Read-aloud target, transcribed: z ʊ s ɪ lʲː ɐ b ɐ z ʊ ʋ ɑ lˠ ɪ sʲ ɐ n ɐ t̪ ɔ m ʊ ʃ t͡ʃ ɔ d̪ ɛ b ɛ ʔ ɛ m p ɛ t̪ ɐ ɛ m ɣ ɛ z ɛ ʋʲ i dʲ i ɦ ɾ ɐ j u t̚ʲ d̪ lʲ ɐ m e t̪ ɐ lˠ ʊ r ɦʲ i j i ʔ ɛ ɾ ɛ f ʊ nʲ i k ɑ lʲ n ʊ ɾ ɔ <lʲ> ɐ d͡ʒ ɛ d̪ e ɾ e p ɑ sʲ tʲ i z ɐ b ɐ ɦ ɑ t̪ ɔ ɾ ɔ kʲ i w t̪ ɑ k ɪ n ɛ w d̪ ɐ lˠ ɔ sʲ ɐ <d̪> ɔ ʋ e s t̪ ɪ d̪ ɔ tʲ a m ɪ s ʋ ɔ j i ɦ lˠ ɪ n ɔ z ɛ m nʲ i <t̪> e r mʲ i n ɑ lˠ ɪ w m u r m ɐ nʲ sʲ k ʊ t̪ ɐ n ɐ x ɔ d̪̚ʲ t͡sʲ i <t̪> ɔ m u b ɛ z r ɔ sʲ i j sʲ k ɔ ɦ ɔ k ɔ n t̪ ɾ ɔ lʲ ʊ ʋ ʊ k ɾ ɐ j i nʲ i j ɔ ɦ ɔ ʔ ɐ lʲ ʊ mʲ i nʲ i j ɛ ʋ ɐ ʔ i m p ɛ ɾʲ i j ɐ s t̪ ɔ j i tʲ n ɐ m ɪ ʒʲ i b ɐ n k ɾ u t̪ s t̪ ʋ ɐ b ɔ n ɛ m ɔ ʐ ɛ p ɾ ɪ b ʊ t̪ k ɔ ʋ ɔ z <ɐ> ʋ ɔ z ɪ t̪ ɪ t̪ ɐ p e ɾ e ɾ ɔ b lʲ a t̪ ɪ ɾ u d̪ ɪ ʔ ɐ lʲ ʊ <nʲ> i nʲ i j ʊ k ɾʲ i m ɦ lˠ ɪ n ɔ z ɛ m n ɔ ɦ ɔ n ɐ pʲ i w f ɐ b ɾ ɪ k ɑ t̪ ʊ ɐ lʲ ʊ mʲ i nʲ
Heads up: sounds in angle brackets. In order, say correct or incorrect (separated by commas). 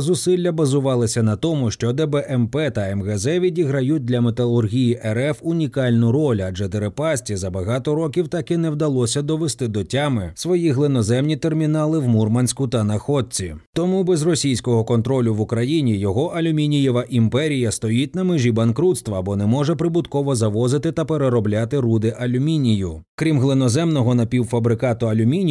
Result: correct, correct, correct, correct, correct, incorrect